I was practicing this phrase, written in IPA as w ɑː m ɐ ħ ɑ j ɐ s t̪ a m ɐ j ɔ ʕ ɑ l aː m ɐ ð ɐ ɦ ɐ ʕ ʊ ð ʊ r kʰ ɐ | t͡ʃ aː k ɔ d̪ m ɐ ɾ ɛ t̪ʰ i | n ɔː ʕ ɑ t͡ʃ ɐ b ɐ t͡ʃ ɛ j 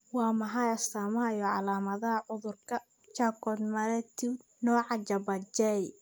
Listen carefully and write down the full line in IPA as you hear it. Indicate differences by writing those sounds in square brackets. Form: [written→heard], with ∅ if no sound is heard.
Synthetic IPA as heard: w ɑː m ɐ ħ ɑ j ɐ s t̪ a m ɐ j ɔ ʕ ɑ l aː m ɐ ð ɐ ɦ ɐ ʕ ʊ ð ʊ r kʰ ɐ | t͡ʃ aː k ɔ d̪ m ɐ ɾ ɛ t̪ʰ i | n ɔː ʕ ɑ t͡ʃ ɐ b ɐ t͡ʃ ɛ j